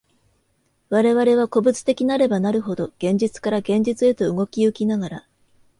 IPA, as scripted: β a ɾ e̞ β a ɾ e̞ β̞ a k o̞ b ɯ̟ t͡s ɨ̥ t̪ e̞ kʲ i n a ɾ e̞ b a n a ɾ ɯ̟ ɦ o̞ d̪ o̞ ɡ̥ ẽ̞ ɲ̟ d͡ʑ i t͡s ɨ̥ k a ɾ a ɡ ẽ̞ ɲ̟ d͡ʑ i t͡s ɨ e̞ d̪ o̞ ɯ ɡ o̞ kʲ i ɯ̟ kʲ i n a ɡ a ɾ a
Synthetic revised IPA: β a ɾ e̞ β a ɾ e̞ β̞ a k o̞ b ɯ̟ t͡s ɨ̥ t̪ e̞ kʲ i n a ɾ e̞ b a n a ɾ ɯ̟ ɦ o̞ d̪ o̞ ɡ̥ ẽ̞ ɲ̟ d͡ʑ i t͡s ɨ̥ k a ɾ a ɡ ẽ̞ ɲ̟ d͡ʑ i t͡s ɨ e̞ t̪ o̞ ɯ ɡ o̞ kʲ i ɯ̟ kʲ i n a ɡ a ɾ a